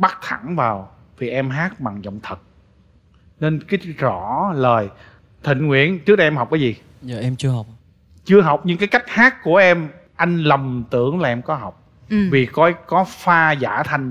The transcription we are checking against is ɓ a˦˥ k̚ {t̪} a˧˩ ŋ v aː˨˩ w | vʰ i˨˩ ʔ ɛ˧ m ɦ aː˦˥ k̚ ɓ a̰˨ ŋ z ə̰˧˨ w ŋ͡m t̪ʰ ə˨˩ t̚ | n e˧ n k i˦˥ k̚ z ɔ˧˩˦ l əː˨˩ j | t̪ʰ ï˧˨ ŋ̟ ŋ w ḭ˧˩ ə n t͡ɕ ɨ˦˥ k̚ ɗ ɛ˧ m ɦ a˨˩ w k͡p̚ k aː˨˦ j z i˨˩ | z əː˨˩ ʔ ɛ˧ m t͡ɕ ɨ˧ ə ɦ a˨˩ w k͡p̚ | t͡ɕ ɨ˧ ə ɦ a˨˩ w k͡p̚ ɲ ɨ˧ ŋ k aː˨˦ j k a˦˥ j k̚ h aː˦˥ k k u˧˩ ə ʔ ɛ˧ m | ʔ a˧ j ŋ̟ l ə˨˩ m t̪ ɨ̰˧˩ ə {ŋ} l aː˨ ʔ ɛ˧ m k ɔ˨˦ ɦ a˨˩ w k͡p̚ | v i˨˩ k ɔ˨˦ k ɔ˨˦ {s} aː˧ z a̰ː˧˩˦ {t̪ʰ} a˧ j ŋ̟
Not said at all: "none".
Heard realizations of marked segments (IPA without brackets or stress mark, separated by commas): t̪ʰ, ŋ, f, t̪ʰ